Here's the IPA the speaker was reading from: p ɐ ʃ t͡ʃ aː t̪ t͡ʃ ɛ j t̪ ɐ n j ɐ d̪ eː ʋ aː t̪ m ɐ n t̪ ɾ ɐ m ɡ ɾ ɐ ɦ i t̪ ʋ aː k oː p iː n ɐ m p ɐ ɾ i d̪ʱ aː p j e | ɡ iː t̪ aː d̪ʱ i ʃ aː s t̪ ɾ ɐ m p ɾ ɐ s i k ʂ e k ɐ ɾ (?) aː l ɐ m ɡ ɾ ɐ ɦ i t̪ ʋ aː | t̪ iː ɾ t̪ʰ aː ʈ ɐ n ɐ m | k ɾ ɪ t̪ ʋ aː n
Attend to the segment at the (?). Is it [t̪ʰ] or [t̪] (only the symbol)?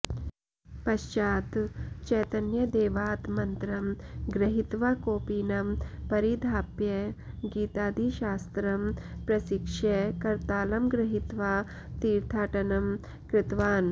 t̪